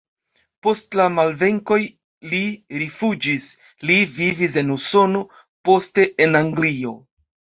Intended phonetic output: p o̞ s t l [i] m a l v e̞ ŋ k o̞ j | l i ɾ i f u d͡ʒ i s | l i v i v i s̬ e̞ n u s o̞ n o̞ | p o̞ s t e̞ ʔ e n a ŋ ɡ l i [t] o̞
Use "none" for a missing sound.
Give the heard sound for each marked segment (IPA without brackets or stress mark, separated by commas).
a, none